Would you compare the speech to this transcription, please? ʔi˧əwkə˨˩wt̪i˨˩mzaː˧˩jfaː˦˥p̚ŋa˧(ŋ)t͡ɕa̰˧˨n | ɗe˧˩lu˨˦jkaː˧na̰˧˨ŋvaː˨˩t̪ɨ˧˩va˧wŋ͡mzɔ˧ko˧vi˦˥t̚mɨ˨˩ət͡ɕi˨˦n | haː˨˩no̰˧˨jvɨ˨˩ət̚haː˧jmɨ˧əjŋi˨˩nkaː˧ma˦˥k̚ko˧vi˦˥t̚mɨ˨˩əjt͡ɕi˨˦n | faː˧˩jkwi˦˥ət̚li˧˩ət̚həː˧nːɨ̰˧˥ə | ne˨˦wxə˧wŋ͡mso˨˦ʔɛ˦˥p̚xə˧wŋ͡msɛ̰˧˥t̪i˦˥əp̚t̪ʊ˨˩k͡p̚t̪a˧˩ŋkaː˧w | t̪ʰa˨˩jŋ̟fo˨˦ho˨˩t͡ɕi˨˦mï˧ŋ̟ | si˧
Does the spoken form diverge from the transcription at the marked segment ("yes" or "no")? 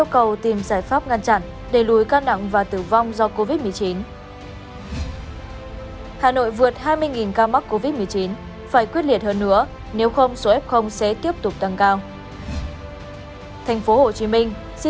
yes